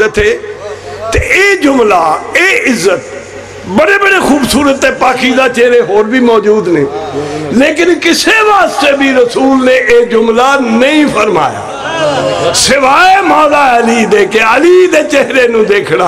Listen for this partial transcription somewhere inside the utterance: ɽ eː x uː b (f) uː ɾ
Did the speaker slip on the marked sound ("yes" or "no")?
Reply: yes